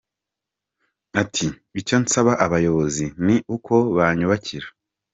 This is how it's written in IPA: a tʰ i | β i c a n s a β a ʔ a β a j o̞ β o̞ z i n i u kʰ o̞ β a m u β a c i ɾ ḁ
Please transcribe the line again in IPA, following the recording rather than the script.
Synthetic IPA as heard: a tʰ i | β i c a n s a β a ʔ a β a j o̞ β o̞ z i n i u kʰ o̞ β a ɲ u β a c i ɾ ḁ